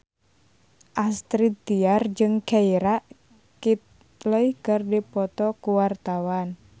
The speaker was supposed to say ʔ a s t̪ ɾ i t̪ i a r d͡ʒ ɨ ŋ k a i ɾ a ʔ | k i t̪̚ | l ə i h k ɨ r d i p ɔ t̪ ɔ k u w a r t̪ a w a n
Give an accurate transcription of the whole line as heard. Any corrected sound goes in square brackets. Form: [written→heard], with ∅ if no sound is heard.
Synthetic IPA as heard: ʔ a s t̪ ɾ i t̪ i a r d͡ʒ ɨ ŋ k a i ɾ a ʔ | k i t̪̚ | l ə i h k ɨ r d i p ɔ t̪ ɔ k u w a r t̪ a w a n